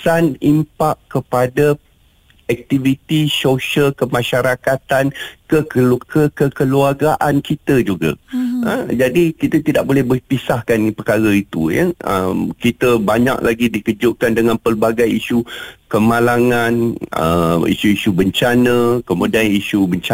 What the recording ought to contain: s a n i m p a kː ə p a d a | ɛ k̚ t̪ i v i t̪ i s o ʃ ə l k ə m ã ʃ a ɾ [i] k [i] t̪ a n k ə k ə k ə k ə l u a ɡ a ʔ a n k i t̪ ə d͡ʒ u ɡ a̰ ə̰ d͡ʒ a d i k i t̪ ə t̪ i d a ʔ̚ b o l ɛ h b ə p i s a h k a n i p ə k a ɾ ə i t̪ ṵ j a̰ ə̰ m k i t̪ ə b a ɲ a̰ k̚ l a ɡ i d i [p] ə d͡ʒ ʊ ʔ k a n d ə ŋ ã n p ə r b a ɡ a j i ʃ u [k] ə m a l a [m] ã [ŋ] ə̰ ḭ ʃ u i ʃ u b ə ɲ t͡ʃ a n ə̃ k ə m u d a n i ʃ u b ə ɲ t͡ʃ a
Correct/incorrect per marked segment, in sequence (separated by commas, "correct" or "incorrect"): incorrect, incorrect, incorrect, correct, incorrect, incorrect